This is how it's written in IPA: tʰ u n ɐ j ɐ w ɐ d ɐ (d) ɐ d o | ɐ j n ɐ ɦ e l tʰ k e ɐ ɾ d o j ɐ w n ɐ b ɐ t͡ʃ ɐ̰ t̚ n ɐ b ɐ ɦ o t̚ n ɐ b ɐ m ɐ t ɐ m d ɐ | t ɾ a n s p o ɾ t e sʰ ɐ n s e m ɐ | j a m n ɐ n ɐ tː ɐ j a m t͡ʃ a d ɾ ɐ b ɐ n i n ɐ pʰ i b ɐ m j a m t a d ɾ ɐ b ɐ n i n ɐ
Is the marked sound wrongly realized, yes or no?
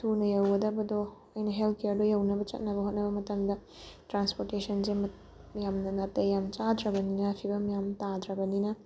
yes